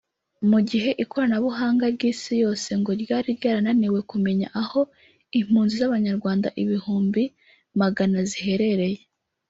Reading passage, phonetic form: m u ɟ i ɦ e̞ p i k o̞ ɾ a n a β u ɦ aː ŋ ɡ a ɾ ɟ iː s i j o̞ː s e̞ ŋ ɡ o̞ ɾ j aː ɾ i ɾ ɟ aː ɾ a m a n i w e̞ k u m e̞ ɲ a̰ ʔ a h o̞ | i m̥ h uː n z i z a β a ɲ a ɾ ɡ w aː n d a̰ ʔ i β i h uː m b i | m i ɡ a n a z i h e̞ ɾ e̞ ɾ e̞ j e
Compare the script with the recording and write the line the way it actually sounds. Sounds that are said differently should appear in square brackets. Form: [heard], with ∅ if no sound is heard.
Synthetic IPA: m u ɟ i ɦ e̞ [ʔ] i k o̞ ɾ a n a β u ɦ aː ŋ ɡ a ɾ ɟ iː s i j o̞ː s e̞ ŋ ɡ o̞ ɾ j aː ɾ i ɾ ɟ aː ɾ a [n] a n i w e̞ k u m e̞ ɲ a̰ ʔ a h o̞ | i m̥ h uː n z i z a β a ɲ a ɾ ɡ w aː n d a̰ ʔ i β i h uː m b i | m [a] ɡ a n a z i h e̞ ɾ e̞ ɾ e̞ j e